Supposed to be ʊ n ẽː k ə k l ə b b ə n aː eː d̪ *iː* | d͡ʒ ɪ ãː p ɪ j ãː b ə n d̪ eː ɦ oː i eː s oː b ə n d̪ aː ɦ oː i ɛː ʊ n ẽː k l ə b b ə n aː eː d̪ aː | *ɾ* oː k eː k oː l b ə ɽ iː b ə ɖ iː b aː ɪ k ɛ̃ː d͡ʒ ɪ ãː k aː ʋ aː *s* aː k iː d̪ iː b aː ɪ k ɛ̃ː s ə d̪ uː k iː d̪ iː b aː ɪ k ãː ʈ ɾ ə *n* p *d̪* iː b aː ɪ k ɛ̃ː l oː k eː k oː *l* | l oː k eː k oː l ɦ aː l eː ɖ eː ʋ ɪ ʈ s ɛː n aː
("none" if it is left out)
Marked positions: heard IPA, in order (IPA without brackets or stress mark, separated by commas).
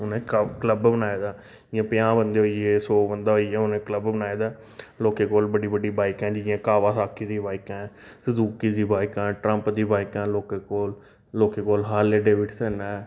aː, l, s, m, d̪, l